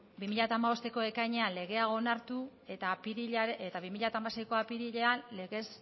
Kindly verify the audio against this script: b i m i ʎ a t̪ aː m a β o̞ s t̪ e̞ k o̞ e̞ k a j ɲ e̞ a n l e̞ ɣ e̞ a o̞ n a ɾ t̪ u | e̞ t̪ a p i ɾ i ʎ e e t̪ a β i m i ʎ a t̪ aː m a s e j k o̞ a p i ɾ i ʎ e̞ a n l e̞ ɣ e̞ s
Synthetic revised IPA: b i m i ʎ a t̪ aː m a β o̞ s t̪ e̞ k o̞ e̞ k a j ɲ e̞ a n l e̞ ɣ e̞ a o̞ n a ɾ t̪ u | e̞ t̪ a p i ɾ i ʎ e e t̪ a β i m i ʎ a t̪ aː m a s e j k o̞ a p i ɾ i ʎ e̞ a n l e̞ ɣ e̞ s